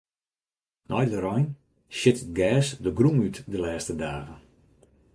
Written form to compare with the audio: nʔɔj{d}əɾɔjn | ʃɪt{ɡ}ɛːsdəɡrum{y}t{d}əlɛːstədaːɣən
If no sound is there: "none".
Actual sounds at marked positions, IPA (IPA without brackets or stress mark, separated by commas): d, ɡ, y, d